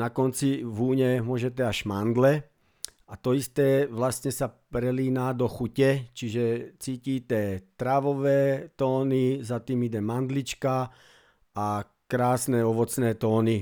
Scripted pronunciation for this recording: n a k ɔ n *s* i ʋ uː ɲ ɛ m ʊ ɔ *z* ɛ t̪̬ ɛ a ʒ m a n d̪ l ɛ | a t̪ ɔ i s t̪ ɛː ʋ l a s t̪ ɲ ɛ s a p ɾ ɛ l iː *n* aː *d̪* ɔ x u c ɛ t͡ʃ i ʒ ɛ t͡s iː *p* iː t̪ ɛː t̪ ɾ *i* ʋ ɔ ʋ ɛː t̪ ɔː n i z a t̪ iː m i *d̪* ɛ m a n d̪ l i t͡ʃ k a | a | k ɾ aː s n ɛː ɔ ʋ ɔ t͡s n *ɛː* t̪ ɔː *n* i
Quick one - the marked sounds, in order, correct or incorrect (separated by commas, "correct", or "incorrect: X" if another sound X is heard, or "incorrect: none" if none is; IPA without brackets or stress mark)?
incorrect: t͡s, incorrect: ʒ, correct, correct, incorrect: c, incorrect: a, correct, correct, correct